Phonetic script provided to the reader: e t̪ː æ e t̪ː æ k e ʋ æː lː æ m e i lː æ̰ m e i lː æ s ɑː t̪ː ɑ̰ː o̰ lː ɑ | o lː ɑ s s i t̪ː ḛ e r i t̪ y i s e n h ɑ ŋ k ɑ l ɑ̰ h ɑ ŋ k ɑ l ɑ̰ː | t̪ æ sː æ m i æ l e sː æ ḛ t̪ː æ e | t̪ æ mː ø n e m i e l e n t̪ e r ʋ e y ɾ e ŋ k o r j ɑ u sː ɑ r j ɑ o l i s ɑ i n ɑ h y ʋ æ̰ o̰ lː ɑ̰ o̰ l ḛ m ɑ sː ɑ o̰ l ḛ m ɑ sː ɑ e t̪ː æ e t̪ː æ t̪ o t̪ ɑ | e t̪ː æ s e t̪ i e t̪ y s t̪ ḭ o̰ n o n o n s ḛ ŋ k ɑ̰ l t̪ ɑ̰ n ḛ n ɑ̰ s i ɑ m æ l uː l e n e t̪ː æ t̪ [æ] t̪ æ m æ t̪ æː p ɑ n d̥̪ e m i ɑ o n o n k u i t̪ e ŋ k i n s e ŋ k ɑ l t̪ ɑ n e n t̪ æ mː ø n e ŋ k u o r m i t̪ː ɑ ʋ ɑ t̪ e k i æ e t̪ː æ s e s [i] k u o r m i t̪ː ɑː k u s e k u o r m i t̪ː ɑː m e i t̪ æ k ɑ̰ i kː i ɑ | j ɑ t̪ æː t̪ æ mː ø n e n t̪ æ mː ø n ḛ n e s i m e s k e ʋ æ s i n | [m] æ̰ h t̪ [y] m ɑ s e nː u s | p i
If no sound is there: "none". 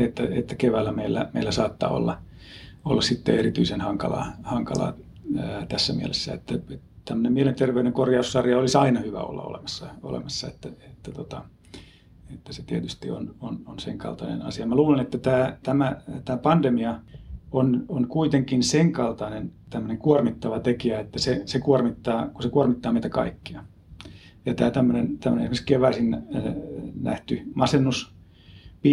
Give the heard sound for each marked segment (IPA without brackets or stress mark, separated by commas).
æː, e, n, y